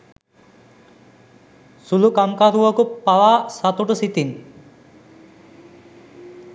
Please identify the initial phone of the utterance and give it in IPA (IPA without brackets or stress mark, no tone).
s